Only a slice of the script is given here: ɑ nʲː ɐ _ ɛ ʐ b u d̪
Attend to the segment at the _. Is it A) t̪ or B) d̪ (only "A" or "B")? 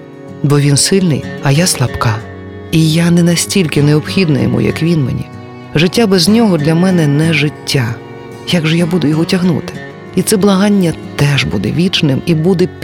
A